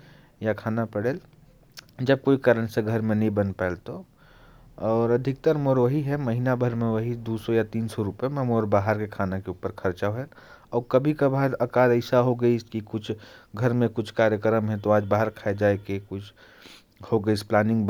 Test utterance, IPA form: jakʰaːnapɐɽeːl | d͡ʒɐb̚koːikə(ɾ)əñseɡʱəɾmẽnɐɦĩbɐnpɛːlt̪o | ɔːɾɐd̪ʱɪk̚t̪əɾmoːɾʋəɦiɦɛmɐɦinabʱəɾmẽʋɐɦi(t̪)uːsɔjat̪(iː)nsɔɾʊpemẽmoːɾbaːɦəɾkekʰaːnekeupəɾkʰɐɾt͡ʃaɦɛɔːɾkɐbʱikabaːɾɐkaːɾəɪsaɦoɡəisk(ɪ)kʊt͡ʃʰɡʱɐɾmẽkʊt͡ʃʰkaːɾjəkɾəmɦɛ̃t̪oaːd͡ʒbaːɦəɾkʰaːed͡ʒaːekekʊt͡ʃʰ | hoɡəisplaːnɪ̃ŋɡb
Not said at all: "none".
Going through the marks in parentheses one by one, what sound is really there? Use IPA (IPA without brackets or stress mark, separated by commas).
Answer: ɾ, d̪, iː, i